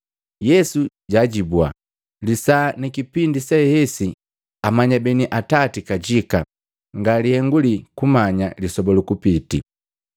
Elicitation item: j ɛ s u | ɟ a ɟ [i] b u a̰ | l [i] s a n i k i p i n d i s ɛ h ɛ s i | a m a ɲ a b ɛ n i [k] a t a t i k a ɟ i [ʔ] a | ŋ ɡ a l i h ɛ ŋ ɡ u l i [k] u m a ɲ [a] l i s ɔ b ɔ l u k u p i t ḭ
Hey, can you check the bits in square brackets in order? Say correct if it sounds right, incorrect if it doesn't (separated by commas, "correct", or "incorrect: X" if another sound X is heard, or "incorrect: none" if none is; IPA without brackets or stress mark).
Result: correct, correct, incorrect: ʔ, incorrect: k, correct, correct